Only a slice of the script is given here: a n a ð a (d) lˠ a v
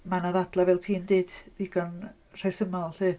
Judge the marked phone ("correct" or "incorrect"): correct